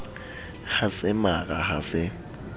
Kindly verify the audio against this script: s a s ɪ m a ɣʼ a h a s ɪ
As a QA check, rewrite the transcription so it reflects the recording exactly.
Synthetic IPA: h a s ɪ m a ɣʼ a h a s ɪ